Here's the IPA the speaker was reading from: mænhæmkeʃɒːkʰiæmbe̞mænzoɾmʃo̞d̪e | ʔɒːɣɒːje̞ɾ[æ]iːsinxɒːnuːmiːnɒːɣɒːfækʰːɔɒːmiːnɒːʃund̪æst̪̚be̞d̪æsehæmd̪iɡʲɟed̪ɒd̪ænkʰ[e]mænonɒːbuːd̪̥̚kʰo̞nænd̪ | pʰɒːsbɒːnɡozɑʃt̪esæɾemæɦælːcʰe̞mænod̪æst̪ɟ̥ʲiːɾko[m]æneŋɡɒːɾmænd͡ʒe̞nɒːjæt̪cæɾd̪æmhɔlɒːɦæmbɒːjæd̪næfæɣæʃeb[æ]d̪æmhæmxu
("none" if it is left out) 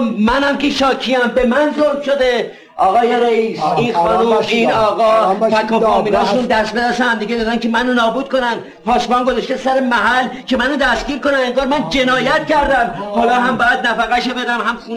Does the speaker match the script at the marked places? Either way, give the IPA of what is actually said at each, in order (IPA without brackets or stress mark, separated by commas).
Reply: e, e, n, e